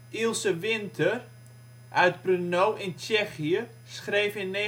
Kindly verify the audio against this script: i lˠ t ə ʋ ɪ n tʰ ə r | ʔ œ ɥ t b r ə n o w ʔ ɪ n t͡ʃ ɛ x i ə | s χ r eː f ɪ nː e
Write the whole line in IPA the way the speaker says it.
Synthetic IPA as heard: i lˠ s ə ʋ ɪ n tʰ ə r | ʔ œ ɥ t b r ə n o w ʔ ɪ n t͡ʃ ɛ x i ə | s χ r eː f ɪ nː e